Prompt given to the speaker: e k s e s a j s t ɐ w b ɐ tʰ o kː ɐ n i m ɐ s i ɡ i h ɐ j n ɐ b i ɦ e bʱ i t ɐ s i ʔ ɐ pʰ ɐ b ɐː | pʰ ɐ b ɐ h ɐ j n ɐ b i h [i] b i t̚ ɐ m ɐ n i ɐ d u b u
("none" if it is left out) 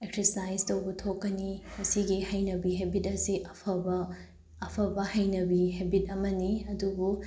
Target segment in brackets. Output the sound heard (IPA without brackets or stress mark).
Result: e